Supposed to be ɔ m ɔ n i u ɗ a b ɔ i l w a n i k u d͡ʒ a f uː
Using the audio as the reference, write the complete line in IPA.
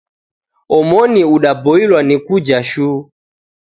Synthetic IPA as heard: ɔ m ɔ n i u ɗ a b ɔ i l w a n i k u d͡ʒ a ʃ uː